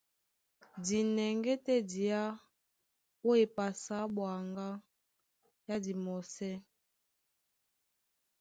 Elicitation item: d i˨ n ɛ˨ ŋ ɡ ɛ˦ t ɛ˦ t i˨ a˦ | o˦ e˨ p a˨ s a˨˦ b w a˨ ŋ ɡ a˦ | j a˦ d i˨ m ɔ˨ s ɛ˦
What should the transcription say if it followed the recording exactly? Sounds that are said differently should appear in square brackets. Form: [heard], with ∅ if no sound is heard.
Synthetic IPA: d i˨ n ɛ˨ ŋ ɡ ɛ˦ t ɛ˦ [d] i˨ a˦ | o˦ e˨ p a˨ s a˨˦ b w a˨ ŋ ɡ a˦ | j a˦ d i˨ m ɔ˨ s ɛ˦